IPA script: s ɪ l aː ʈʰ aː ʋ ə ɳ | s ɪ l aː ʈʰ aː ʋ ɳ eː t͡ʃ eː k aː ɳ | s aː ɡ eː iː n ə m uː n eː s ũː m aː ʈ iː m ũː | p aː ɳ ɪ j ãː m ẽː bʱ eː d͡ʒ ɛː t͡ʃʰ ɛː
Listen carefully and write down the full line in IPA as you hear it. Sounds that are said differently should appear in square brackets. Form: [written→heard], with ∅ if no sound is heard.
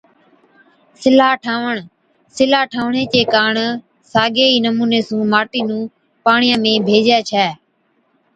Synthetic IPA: s ɪ l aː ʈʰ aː ʋ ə ɳ | s ɪ l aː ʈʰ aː ʋ ɳ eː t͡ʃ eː k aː ɳ | s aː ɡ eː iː n ə m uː n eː s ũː m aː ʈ iː [m→n] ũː | p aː ɳ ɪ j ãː m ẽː bʱ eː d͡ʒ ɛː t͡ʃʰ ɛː